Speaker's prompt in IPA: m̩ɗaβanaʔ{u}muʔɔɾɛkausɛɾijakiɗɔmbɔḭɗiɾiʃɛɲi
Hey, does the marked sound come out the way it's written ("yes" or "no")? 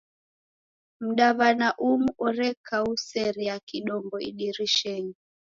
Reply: yes